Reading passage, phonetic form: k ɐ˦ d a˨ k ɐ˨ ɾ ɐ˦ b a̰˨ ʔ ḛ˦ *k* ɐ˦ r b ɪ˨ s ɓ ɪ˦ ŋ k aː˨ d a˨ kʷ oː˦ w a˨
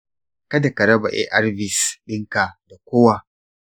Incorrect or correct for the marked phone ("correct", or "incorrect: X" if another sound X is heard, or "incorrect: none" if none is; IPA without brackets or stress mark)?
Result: incorrect: ʔ